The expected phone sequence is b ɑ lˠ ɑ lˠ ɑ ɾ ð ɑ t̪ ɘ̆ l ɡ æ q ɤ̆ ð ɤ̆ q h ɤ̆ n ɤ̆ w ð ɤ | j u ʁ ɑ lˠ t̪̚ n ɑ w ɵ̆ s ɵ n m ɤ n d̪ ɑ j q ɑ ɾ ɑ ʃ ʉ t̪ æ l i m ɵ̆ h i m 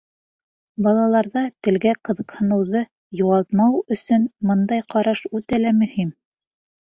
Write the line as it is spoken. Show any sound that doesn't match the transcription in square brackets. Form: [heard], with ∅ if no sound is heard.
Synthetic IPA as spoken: b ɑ lˠ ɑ lˠ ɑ ɾ ð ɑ t̪ ɘ̆ l ɡ æ q ɤ̆ ð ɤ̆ q h ɤ̆ n ɤ̆ w ð ɤ | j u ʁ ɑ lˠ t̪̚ [m] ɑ w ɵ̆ s ɵ n m ɤ n d̪ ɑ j q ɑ ɾ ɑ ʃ ʉ t̪ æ l [æ] m ɵ̆ h i m